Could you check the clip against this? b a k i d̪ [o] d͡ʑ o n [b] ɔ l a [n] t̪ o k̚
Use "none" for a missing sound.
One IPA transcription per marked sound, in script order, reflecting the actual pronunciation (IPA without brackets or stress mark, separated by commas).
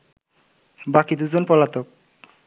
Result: u, p, none